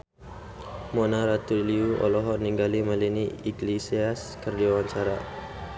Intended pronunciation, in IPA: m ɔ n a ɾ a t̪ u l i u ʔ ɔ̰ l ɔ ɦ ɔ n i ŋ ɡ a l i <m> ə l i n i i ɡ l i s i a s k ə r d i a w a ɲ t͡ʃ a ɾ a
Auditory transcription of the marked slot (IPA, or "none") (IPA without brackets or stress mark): m